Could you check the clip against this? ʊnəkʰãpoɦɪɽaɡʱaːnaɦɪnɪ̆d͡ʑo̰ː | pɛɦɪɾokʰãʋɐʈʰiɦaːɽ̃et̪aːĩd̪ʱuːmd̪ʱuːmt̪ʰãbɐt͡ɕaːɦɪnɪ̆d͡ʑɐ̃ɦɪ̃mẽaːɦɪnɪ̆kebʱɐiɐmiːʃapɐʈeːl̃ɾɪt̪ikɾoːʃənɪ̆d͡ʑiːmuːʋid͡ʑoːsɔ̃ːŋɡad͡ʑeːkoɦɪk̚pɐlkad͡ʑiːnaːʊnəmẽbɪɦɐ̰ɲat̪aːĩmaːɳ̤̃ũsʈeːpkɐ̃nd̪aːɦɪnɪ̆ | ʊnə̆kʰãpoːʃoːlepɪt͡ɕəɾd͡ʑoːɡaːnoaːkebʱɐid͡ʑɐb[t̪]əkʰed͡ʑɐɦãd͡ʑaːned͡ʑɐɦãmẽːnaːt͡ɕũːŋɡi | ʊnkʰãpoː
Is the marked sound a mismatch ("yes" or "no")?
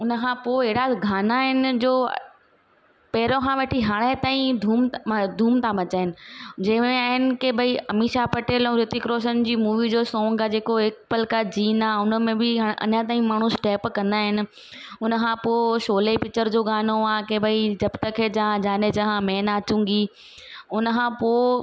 no